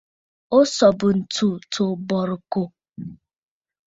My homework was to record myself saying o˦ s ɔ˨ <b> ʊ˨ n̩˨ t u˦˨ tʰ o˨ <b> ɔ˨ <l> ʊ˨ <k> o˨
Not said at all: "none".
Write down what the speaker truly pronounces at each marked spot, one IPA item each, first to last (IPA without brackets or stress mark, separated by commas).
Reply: b, b, ɾ, k